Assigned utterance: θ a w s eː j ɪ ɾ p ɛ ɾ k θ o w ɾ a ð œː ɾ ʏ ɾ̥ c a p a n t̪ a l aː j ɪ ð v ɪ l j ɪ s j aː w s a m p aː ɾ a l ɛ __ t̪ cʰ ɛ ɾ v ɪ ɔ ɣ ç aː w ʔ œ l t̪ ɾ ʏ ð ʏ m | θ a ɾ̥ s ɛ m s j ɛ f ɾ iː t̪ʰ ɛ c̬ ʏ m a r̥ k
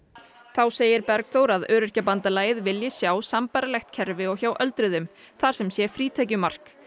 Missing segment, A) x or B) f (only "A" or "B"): A